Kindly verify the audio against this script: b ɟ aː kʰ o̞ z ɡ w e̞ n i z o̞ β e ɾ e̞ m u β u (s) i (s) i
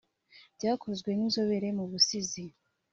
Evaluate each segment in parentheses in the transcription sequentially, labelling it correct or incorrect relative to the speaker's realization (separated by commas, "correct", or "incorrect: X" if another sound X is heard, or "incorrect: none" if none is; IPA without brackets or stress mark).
correct, incorrect: z